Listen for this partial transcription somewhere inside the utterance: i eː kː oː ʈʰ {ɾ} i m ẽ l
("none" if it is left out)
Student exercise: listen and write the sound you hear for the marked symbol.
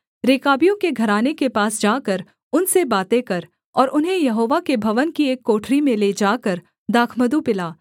ɾ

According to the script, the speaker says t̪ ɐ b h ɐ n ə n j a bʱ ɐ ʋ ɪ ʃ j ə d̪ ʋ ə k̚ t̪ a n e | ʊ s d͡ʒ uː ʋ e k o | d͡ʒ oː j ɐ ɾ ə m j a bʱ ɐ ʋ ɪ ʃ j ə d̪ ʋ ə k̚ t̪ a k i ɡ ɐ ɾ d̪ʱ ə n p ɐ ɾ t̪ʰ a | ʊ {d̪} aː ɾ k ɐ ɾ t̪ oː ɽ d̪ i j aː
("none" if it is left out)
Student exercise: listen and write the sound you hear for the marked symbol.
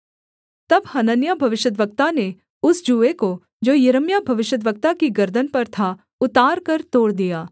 t̪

